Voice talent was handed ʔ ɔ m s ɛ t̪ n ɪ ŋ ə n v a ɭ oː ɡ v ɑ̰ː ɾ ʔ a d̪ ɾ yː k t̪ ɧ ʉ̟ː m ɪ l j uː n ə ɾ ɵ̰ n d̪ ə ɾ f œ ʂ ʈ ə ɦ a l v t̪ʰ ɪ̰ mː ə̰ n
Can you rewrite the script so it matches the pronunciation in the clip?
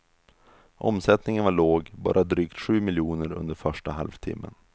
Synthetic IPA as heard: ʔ ɔ m s ɛ t̪ n ɪ ŋ ə n v a ɭ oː ɡ b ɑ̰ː ɾ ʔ a d̪ ɾ yː k t̪ ɧ ʉ̟ː m ɪ l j uː n ə ɾ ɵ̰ n d̪ ə ɾ f œ ʂ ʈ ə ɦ a l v t̪ʰ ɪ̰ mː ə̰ n